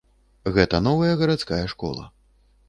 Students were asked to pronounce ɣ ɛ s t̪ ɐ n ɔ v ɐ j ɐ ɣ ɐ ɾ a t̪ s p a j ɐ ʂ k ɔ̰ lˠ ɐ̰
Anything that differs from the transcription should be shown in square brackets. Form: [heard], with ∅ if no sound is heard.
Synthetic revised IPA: ɣ ɛ [∅] t̪ ɐ n ɔ v ɐ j ɐ ɣ ɐ ɾ a t̪ s [k] a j ɐ ʂ k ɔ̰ lˠ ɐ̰